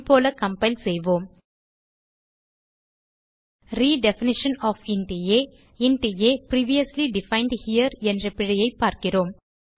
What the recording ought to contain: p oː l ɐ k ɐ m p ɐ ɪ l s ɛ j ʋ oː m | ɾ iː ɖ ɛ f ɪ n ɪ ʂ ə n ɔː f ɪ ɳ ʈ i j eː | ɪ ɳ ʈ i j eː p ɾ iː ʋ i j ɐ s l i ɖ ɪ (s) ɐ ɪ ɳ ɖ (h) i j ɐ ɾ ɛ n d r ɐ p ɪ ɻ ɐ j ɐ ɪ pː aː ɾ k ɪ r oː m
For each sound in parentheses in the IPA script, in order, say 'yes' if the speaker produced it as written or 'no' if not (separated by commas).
no, yes